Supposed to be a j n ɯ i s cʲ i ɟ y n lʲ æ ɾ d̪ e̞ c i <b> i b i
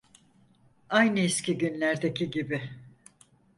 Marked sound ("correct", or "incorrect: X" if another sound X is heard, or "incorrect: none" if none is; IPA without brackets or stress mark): incorrect: ɟ